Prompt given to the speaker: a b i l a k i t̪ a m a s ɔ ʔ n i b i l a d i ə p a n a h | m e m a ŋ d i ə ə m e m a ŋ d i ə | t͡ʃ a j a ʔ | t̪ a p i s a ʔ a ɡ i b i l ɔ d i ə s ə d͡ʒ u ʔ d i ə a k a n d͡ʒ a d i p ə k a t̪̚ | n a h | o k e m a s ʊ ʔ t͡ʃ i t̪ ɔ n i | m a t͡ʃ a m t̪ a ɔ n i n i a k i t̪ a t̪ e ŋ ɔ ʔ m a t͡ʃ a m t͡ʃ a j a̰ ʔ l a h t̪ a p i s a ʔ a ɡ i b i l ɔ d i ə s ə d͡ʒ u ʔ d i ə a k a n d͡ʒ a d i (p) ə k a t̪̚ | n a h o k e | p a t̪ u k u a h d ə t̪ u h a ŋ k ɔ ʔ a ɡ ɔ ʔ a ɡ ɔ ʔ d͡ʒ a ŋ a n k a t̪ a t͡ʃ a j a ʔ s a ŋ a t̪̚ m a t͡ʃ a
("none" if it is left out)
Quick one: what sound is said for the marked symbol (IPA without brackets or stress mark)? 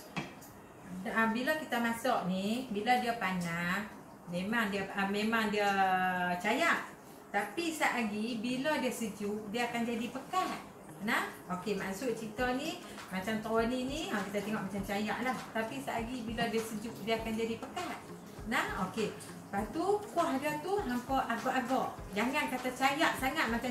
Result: p